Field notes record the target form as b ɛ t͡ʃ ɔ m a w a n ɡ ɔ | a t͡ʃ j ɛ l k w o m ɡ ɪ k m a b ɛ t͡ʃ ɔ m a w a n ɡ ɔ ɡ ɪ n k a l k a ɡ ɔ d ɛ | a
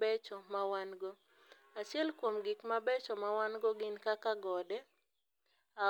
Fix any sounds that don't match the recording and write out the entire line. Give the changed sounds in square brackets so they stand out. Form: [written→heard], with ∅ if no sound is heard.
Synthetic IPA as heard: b ɛ t͡ʃ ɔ m a w a n ɡ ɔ | a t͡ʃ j ɛ l k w o m ɡ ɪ k m a b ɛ t͡ʃ ɔ m a w a n ɡ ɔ ɡ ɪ n k a [l→∅] k a ɡ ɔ d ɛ | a